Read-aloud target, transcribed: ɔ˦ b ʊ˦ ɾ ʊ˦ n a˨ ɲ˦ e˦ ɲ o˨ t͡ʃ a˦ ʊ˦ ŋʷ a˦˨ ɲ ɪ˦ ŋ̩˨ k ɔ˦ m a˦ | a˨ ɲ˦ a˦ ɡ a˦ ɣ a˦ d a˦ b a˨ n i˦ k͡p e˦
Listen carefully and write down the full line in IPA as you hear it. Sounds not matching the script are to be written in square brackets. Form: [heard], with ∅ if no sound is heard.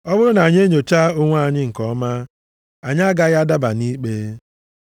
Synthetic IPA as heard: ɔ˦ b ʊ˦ ɾ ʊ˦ n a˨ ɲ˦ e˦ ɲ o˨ t͡ʃ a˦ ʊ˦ ŋʷ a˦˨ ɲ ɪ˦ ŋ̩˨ k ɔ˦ m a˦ | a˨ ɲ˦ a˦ ɡ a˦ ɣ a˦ d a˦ b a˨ n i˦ k͡p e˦